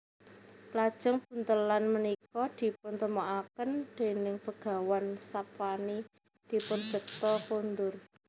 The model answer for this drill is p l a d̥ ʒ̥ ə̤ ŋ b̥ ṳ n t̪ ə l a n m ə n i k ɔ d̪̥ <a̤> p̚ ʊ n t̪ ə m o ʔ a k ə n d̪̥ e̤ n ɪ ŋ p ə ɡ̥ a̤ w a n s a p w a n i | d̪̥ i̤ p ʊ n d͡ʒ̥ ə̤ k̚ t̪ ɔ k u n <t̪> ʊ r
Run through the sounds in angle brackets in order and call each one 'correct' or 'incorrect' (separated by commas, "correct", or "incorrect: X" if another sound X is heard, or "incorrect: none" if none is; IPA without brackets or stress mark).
incorrect: i̤, incorrect: d̪